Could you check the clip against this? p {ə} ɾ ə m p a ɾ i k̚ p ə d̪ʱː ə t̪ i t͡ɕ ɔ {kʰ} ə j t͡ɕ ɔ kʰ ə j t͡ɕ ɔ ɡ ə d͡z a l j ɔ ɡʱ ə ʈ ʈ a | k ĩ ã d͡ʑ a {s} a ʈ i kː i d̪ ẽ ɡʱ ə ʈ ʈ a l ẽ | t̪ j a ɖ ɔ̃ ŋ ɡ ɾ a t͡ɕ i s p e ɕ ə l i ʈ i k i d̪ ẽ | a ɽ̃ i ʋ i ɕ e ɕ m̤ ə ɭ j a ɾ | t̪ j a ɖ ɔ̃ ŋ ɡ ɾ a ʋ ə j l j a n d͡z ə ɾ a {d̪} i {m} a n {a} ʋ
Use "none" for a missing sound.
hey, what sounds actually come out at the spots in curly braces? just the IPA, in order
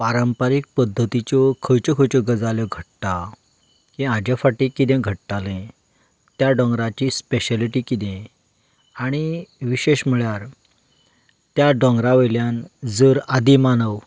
a, kʰ, f, d̪, m, ə

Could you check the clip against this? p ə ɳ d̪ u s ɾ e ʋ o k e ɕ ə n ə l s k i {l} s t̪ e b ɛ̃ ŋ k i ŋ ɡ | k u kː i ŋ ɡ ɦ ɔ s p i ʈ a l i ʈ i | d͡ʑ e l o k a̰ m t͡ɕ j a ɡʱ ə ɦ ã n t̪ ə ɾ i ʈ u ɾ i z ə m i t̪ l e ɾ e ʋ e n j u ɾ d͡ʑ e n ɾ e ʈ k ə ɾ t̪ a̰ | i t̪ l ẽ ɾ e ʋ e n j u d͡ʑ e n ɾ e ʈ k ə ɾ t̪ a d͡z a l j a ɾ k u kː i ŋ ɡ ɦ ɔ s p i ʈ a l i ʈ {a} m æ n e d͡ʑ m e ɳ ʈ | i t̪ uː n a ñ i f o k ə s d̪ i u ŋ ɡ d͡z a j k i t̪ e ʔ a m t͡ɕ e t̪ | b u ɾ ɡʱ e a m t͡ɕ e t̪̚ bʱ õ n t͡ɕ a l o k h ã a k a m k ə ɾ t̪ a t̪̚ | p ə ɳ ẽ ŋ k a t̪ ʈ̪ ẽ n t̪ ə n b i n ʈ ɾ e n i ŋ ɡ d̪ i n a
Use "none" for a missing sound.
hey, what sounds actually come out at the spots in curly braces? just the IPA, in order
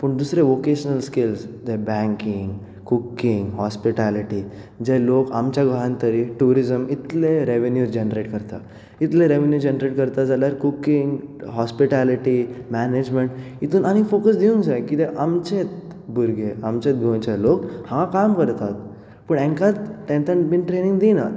l, i

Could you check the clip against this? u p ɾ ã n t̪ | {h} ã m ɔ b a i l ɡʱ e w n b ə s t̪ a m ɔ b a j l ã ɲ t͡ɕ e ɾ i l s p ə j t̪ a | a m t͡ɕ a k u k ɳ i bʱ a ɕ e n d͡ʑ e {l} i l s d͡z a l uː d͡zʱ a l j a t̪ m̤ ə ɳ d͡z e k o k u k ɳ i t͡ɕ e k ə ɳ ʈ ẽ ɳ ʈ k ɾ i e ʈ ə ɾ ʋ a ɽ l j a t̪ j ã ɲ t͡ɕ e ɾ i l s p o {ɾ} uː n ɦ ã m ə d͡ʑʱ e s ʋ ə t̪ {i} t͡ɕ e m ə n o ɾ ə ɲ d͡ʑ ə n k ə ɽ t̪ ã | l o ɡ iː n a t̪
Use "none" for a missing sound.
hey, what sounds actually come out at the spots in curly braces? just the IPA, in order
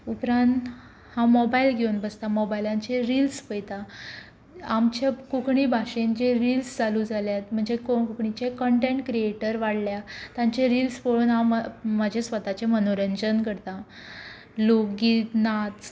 h, ɾ, ɭ, a

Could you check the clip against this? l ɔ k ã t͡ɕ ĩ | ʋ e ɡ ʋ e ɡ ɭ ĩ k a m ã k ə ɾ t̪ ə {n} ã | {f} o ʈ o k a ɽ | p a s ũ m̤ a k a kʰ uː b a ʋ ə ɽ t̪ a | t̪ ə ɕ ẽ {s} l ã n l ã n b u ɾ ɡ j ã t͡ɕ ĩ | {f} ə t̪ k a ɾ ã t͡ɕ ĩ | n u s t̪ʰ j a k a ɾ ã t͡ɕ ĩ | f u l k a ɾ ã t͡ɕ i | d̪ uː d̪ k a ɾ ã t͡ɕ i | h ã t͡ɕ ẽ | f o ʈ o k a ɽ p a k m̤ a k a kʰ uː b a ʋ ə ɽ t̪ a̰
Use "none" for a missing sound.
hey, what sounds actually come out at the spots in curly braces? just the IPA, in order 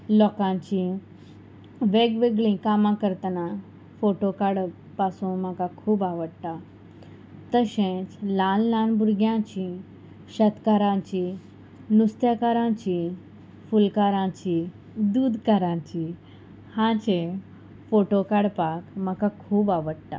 n, f, t͡s, ɕ

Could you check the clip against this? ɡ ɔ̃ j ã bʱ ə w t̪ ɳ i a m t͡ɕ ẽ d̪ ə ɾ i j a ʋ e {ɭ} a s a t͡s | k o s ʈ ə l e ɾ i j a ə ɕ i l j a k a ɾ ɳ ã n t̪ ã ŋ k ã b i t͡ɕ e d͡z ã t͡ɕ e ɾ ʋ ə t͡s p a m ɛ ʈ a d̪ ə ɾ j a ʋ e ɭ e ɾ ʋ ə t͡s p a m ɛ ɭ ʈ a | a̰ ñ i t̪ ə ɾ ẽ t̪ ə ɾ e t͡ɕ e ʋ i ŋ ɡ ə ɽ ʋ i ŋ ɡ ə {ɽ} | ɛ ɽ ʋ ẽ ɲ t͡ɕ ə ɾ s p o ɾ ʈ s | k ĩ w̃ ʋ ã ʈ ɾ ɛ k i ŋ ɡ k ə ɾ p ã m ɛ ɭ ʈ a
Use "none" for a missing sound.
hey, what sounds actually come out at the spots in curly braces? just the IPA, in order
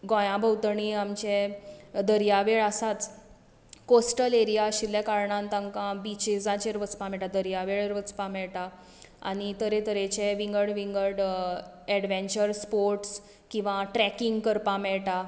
ɭ, ɽ

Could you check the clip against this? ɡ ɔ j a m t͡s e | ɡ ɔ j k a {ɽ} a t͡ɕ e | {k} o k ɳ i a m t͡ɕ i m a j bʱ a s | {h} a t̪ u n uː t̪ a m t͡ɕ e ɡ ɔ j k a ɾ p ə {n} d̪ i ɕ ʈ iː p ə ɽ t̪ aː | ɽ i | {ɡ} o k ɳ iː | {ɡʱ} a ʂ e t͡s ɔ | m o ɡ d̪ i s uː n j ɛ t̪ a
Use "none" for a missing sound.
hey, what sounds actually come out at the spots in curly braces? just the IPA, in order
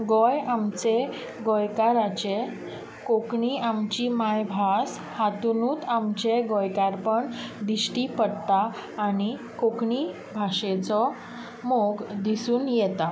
ɾ, k, h, ɳ, k, bʱ

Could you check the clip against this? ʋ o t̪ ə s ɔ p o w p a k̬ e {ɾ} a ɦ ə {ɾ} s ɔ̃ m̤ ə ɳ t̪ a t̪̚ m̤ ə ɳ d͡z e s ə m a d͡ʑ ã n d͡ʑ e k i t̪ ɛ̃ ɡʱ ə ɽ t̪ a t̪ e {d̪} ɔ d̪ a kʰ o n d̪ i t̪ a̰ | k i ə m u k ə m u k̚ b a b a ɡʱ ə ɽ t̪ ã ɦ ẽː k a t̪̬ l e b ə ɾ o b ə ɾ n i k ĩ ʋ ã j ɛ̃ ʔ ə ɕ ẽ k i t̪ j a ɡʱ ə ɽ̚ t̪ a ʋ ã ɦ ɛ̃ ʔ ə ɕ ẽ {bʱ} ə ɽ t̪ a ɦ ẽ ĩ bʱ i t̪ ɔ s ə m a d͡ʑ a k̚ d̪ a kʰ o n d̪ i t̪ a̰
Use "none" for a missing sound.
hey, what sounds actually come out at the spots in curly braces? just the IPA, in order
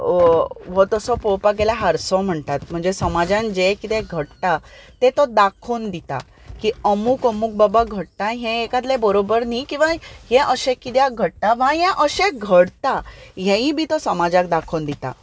l, ɾ, t̪, ɡʱ

